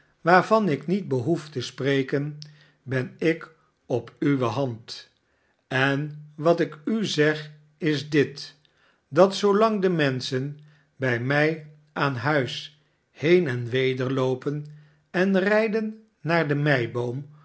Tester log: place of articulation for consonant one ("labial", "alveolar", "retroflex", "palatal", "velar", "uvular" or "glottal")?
labial